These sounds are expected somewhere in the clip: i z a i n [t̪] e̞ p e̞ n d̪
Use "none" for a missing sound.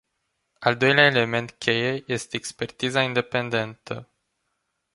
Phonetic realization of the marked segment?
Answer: d̪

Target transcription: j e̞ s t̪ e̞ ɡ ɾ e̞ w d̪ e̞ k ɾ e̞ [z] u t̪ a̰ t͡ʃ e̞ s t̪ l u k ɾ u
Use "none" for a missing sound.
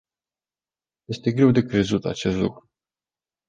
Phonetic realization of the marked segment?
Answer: z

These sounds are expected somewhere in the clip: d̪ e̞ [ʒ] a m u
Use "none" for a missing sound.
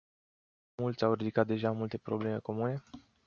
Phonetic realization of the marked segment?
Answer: ʒ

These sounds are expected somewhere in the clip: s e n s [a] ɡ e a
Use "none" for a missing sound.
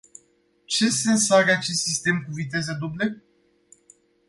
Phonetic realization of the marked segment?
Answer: a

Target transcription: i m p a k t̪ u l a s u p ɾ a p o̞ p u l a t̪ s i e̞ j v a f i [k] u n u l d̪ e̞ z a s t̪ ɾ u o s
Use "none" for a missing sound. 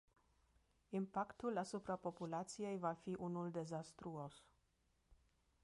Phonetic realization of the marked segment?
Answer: ʔ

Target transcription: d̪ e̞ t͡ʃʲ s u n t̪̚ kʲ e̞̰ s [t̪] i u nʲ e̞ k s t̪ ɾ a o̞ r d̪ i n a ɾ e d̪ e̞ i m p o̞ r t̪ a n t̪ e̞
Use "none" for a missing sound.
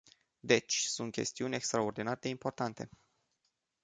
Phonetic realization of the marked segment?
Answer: t̪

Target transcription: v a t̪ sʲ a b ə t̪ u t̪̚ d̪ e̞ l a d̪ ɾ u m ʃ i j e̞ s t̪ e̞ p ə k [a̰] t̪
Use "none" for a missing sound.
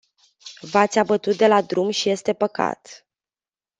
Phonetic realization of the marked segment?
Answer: a̰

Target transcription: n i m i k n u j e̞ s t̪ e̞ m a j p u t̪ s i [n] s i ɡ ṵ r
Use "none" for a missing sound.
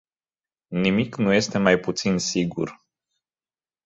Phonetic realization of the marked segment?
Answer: n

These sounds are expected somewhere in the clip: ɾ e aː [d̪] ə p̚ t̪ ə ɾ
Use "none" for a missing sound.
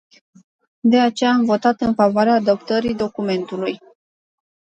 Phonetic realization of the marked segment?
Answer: d̪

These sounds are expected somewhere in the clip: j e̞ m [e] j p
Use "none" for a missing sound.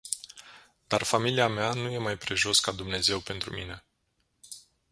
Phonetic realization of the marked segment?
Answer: a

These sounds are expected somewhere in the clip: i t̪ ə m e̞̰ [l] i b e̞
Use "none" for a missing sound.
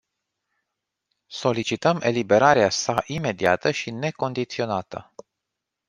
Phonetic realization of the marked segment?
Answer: l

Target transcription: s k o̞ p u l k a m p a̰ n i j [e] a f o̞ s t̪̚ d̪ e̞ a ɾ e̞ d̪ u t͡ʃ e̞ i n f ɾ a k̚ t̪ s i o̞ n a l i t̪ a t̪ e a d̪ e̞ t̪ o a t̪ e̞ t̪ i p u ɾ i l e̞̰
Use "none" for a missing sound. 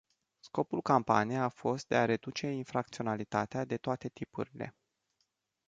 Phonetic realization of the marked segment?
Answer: e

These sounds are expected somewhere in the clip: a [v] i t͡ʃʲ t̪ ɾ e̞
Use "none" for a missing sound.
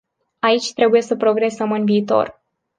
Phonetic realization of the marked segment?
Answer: none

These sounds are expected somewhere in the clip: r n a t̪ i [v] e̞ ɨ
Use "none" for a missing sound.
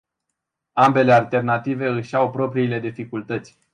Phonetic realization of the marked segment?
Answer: v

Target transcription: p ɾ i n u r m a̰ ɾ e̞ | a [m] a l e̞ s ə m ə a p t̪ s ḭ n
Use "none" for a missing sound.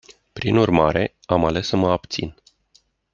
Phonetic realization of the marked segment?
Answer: m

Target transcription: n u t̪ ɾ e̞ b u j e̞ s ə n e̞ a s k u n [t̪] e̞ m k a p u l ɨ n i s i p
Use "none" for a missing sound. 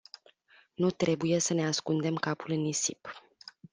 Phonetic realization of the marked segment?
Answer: d̪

